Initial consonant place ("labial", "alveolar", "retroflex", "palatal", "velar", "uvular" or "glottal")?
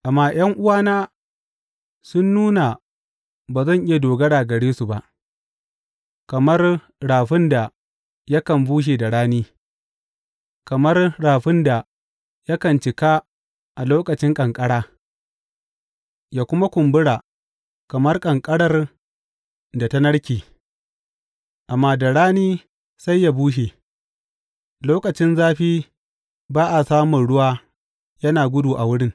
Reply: glottal